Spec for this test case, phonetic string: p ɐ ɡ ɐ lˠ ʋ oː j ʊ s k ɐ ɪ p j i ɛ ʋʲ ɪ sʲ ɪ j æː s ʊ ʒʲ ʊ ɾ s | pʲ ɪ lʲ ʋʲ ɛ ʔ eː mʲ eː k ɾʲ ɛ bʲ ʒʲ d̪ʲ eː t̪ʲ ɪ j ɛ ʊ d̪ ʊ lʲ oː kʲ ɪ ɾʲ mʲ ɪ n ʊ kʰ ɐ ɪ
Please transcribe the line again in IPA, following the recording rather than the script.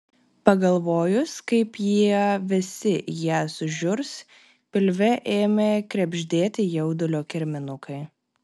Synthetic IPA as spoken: p ɐ ɡ ɐ lˠ ʋ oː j ʊ s k ɐ ɪ p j i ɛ ʋʲ ɪ sʲ ɪ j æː s ʊ ʒʲ ʊ ɾ s | pʲ ɪ lʲ ʋʲ ɛ ʔ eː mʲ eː k ɾʲ ɛ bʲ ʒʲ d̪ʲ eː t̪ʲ ɪ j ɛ ʊ d̪ ʊ lʲ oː kʲ ɪ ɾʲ mʲ ɪ n ʊ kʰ ɐ ɪ